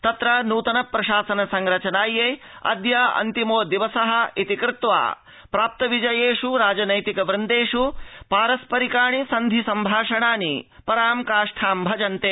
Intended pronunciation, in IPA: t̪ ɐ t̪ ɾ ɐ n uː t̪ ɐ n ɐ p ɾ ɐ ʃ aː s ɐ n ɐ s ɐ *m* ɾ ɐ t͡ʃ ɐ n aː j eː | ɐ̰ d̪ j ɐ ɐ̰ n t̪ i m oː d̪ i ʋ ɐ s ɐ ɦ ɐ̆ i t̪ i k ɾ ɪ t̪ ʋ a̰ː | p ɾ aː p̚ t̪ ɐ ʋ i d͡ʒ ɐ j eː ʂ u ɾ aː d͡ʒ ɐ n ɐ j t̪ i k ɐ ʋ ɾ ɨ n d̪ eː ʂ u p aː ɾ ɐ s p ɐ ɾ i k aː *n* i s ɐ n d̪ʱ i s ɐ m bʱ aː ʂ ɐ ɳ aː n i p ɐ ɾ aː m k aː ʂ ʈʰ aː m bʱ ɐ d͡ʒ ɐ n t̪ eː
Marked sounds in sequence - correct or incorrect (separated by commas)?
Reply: incorrect, incorrect